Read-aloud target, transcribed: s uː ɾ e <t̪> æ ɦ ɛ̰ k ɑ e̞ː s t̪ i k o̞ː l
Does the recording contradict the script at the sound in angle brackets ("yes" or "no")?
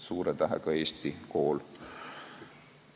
no